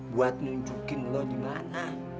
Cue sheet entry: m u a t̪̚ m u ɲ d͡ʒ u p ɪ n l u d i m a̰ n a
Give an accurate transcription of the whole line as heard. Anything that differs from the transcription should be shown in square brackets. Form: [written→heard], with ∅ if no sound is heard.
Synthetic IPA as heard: [m→b] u a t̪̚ [m→n] u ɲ d͡ʒ u [p→k] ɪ n l [u→ɔ] d i m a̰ n a